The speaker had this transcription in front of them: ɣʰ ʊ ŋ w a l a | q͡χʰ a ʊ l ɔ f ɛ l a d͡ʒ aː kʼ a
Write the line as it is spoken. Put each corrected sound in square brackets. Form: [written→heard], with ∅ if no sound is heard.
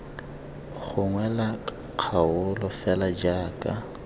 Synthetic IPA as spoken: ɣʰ ʊ ŋ w [a→ɛ] l a | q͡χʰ a ʊ l ɔ f ɛ l a d͡ʒ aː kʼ a